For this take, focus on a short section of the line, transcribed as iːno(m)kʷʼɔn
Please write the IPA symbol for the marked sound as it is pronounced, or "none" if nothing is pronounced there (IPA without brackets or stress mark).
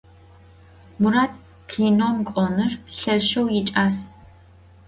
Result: m